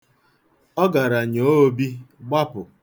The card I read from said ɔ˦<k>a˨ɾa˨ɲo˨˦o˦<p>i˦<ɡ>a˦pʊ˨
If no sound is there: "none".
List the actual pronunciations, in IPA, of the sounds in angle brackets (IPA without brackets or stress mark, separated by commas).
ɡ, b, ɡ͡b